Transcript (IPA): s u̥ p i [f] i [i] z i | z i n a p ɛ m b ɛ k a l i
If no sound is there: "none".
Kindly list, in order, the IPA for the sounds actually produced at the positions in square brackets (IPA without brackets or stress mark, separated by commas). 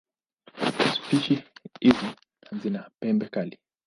ʃ, i